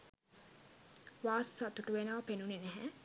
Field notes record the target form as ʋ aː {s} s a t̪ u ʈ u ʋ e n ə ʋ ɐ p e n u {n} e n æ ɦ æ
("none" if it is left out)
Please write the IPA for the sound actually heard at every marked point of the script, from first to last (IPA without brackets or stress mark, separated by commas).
s, n